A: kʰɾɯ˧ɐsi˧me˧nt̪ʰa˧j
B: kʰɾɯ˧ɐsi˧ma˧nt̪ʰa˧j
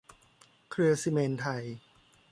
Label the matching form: A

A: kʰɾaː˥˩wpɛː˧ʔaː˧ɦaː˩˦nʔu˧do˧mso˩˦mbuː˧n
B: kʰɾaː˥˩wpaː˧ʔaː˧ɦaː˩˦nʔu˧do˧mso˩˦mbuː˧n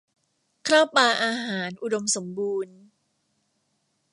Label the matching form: B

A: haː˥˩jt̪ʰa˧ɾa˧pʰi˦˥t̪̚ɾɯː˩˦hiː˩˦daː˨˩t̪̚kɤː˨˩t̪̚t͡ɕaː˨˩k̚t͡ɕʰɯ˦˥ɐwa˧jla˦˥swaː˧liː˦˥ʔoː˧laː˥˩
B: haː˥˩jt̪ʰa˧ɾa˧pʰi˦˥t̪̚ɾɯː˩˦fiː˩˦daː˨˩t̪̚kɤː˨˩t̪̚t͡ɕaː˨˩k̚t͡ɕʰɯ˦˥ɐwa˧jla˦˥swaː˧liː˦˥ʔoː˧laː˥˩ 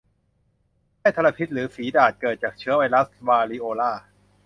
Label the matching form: B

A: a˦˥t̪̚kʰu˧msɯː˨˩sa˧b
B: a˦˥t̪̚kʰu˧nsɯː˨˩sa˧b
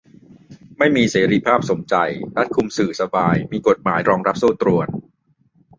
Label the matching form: A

